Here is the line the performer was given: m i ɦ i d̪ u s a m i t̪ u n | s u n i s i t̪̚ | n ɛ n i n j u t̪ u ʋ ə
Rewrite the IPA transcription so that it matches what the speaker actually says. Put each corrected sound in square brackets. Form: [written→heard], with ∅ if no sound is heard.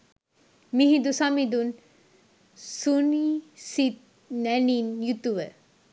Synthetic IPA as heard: m i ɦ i d̪ u s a m i [t̪→d̪] u n | s u n i s i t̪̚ | n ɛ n i n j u t̪ u ʋ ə